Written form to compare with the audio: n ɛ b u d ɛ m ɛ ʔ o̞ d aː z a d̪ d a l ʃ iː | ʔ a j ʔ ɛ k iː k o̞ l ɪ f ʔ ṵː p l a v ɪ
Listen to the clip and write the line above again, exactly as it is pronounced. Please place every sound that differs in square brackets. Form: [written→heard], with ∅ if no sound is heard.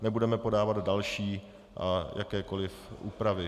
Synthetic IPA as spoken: n ɛ b u d ɛ m ɛ [ʔ→p] o̞ d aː [z→v] a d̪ d a l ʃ iː | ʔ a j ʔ [ɛ→a] k [iː→ɛː] k o̞ l ɪ f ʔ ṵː p [l→ɾ] a v ɪ